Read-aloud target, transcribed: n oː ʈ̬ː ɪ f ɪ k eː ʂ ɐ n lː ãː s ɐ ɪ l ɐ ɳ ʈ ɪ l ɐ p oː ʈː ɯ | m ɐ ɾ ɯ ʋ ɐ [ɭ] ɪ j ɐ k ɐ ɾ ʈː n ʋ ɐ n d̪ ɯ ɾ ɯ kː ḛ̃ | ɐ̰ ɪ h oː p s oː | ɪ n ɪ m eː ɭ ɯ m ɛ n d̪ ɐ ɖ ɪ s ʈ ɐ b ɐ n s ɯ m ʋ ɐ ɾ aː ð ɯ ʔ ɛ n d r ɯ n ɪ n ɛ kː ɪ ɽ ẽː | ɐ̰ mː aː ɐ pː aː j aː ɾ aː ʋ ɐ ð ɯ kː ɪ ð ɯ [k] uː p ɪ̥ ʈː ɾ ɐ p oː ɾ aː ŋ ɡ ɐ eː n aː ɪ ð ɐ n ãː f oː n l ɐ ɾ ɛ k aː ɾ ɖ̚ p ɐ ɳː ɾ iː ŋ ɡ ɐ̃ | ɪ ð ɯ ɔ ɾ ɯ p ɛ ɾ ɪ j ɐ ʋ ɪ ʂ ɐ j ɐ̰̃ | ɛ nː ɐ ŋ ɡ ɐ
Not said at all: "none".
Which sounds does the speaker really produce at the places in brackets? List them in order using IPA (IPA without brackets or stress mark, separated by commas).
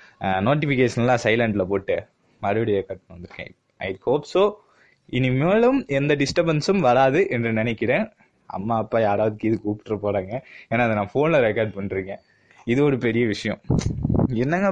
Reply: ɽ, k